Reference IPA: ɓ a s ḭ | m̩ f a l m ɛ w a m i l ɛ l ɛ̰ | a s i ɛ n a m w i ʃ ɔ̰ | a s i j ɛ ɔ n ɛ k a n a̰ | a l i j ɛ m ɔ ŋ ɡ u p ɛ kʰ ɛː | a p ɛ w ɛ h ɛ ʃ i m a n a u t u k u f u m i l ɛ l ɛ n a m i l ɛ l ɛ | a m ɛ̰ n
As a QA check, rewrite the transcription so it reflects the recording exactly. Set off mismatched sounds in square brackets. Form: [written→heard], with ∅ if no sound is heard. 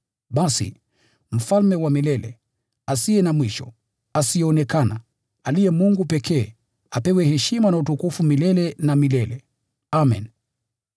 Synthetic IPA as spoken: ɓ a s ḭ | m̩ f a l m ɛ w a m i l ɛ l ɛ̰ | a s i ɛ n a m w i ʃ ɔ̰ | a s i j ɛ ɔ n ɛ k a n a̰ | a l i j ɛ m [ɔ→u] ŋ ɡ u p ɛ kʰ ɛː | a p ɛ w ɛ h ɛ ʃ i m a n a u t u k u f u m i l ɛ l ɛ n a m i l ɛ l ɛ | a m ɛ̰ n

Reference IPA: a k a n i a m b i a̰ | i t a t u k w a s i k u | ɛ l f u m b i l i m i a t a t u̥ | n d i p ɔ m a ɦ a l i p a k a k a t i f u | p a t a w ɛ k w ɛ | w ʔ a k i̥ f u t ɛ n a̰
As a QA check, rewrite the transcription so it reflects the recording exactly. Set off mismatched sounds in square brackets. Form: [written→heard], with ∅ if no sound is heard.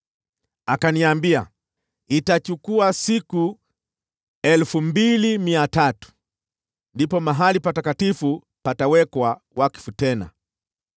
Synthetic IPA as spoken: a k a n i a m b i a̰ | i t a [t→t͡ʃ] u k [w→u] a s i k u | ɛ l f u m b i l i m i a t a t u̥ | n d i p ɔ m a ɦ a l i p a [k→t] a k a t i f u | p a t a w ɛ k w [ɛ→a] | w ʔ a k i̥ f u t ɛ n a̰

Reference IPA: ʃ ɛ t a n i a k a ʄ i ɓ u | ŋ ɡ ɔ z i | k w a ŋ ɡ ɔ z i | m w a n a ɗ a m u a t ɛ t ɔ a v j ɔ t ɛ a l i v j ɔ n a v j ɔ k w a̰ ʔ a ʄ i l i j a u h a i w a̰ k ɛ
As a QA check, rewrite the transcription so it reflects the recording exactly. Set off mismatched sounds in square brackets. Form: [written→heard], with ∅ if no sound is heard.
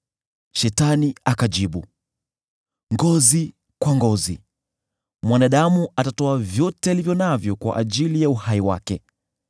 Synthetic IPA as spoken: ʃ ɛ t a n i a k a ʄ i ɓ u | ŋ ɡ ɔ z i | k w a ŋ ɡ ɔ z i | m w a n a ɗ a m u a t [ɛ→a] t ɔ a v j ɔ t ɛ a l i v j ɔ n a v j ɔ k w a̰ ʔ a ʄ i l i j a u h a i w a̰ k ɛ

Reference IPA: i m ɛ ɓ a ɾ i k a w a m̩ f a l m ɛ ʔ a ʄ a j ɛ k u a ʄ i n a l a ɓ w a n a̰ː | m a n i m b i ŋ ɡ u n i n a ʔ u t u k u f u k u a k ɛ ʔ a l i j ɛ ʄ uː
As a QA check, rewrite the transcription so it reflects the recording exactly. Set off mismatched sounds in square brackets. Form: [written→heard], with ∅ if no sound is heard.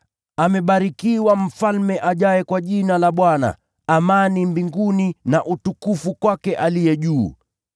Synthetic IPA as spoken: [i→a] m ɛ ɓ a ɾ i k [a→i] w a m̩ f a l m ɛ ʔ a ʄ a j ɛ k [u→w] a ʄ i n a l a ɓ w a n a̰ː | m a n i m b i ŋ ɡ u n i n a ʔ u t u k u f u k [u→w] a k ɛ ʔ a l i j ɛ ʄ uː

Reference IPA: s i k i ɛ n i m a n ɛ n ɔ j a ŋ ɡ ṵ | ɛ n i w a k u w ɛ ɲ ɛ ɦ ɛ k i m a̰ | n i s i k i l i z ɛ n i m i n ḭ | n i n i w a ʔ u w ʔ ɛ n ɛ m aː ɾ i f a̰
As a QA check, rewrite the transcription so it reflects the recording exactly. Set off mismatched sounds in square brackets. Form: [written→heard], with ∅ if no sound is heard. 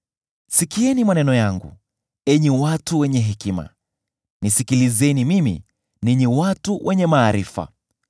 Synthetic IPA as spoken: s i k i ɛ n i m a n ɛ n ɔ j a ŋ ɡ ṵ | ɛ [n→ɲ] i w a [k→t] u w ɛ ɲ ɛ ɦ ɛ k i m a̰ | n i s i k i l i z ɛ n i m i [n→m] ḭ | n i [n→ɲ] i w a [ʔ→t] u w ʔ ɛ [n→ɲ] ɛ m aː ɾ i f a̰

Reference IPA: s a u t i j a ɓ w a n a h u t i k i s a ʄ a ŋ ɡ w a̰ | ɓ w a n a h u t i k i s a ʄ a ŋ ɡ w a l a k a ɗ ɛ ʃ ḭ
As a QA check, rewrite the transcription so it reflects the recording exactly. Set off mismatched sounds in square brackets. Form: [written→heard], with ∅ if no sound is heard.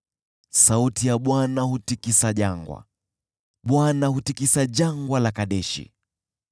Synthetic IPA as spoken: s a u t i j a ɓ w a n a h u t i k i s a ʄ a ŋ ɡ w a̰ | ɓ w a n a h u t i k i s a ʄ a ŋ ɡ w a l a k a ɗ ɛ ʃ ḭ

